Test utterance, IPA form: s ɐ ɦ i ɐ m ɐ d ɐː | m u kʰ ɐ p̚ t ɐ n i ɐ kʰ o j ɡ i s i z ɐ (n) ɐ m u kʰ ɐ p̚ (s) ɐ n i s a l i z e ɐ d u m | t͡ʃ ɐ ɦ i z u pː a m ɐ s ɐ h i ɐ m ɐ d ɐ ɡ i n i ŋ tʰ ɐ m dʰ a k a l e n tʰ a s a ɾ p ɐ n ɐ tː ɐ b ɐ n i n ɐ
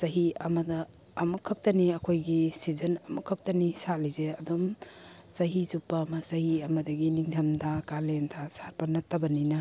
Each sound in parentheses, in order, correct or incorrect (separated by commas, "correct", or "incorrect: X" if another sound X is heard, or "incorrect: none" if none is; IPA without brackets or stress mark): correct, incorrect: t